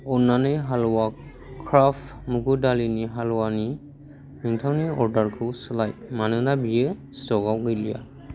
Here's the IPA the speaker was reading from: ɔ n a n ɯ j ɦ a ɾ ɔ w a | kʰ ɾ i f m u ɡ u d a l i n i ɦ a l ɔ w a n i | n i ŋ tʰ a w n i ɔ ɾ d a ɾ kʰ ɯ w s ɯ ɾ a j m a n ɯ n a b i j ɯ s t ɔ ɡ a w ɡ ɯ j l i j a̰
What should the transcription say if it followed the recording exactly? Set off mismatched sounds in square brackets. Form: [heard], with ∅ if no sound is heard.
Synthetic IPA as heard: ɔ n a n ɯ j ɦ a [l] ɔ w a | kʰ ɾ [a] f m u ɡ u d a l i n i ɦ a l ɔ w a n i | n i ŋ tʰ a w n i ɔ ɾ d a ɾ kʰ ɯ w s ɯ [l] a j m a n ɯ n a b i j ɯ s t ɔ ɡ a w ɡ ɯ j l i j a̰